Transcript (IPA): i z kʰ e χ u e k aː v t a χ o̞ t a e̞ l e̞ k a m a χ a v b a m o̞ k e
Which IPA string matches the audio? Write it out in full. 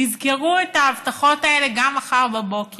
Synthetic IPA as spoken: i z k e ʁ u e t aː v t a χ o̞ t a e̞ l e̞ ɡ a m a χ a ʁ b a b o̞ k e